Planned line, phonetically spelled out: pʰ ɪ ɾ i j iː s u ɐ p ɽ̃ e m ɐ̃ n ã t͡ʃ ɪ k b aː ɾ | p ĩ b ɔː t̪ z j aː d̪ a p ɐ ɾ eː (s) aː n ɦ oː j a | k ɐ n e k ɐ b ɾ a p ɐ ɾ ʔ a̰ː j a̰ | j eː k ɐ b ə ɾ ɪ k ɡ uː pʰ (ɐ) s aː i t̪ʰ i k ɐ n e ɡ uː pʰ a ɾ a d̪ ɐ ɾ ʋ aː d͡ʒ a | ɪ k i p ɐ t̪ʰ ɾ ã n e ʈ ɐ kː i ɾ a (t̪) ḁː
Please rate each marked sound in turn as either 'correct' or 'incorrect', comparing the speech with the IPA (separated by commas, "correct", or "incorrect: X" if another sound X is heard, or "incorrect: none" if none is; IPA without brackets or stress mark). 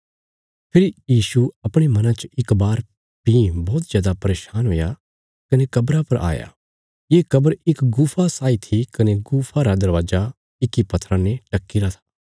incorrect: ʃ, incorrect: a, incorrect: t̪ʰ